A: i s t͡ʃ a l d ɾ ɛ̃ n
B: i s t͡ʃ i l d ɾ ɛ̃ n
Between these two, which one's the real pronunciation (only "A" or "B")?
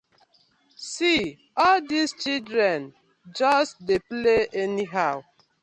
B